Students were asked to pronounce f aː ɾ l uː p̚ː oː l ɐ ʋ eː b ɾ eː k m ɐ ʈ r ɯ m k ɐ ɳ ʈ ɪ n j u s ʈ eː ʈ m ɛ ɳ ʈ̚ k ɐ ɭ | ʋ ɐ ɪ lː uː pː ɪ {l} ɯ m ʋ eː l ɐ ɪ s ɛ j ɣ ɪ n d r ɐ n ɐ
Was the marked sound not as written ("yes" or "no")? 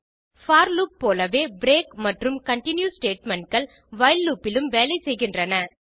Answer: no